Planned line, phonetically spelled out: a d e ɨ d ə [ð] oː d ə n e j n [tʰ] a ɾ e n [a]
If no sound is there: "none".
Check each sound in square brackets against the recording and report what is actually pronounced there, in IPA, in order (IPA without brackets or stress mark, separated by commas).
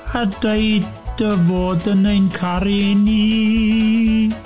v, kʰ, i